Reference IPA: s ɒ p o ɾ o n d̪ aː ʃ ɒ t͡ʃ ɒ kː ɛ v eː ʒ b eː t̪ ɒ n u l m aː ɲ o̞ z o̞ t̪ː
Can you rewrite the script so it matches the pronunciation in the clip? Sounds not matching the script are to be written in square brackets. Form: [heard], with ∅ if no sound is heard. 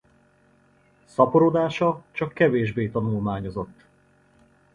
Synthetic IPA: s ɒ p o ɾ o [∅] d̪ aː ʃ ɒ t͡ʃ ɒ kː ɛ v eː ʒ b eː t̪ ɒ n u l m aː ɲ o̞ z o̞ t̪ː